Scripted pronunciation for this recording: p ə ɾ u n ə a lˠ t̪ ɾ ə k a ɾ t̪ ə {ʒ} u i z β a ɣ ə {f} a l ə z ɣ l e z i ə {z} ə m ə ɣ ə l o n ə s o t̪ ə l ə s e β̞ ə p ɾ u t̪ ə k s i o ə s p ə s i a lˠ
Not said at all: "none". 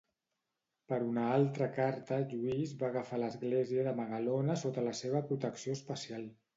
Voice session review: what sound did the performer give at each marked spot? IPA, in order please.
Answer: ʒ, f, ð

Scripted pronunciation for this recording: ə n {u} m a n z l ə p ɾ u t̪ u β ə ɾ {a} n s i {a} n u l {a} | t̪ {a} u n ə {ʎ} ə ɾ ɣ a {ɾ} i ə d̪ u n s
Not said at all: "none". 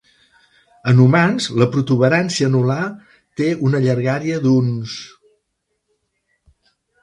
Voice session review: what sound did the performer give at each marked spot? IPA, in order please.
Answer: u, a, ə, a, e, ʎ, ɾ

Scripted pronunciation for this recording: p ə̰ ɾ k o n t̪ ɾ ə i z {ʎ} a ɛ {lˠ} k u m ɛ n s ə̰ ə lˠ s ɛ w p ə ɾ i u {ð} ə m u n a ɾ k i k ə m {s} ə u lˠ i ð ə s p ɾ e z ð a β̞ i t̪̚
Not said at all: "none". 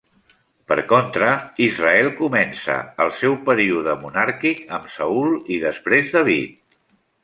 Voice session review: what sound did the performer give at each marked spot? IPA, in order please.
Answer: r, lˠ, ð, s

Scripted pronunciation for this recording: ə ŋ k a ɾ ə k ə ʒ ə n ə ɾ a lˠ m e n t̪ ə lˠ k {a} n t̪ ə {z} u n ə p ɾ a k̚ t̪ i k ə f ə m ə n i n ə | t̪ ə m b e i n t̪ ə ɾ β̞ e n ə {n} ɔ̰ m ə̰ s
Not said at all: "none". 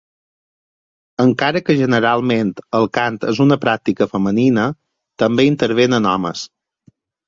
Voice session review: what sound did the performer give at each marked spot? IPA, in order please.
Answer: a, z, n

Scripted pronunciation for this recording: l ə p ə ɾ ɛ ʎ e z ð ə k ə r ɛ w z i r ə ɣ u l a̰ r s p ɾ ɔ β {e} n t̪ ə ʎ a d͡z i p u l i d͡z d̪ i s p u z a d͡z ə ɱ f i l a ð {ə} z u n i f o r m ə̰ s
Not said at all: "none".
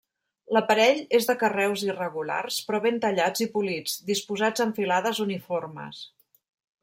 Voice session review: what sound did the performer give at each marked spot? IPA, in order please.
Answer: e, ə

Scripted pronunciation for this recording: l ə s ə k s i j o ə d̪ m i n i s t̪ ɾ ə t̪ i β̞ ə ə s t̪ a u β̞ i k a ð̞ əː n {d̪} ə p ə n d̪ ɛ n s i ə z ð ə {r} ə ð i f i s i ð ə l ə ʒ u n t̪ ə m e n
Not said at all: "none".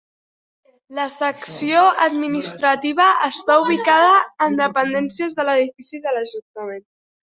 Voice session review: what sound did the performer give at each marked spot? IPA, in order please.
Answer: d̪, l

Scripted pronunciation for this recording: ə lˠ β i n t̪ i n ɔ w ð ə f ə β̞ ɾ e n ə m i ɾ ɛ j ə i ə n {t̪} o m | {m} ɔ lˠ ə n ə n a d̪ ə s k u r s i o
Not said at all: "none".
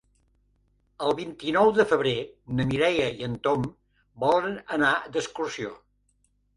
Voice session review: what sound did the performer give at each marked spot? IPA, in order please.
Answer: t̪, b

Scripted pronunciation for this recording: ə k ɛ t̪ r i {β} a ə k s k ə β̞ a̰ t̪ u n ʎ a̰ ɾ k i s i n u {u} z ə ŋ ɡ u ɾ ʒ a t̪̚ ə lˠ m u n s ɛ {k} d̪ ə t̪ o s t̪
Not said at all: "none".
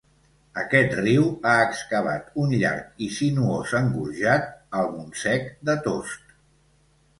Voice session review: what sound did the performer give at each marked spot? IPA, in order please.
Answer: w, o, k

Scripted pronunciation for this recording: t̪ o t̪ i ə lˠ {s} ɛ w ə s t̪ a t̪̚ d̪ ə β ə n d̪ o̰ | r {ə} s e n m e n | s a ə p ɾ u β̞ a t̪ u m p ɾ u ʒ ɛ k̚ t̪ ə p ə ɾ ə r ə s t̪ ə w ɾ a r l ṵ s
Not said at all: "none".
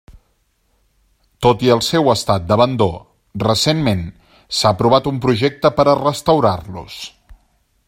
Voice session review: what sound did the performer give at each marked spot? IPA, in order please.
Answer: s, ə

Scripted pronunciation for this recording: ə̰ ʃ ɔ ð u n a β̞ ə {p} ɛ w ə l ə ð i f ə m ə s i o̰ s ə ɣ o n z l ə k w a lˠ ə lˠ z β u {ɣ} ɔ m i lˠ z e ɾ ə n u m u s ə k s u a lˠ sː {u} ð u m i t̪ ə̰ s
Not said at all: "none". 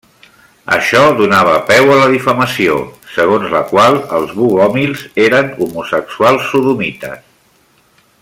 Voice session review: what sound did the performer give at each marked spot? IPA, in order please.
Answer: p, ɣ, u

